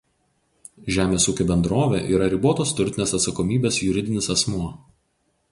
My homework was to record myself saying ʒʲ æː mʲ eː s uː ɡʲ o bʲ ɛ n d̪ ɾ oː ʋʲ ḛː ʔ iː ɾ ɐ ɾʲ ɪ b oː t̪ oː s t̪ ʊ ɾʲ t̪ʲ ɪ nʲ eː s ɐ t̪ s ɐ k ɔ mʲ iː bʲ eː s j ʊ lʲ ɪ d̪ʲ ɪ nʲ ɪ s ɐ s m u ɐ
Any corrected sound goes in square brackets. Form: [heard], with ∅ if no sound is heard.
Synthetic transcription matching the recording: ʒʲ æː mʲ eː s uː [kʲ] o bʲ ɛ n d̪ ɾ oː ʋʲ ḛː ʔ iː ɾ ɐ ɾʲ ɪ b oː t̪ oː s t̪ ʊ ɾʲ t̪ʲ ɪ nʲ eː s ɐ t̪ s ɐ k ɔ mʲ iː bʲ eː s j ʊ [ɾʲ] ɪ d̪ʲ ɪ nʲ ɪ s ɐ s m u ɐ